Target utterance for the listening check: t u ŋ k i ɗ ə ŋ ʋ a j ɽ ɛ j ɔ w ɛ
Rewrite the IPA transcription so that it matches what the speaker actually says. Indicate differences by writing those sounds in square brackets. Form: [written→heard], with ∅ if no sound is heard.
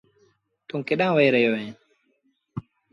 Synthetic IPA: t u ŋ k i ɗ [ə→a] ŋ [ʋ→w] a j [ɽ→ɾ] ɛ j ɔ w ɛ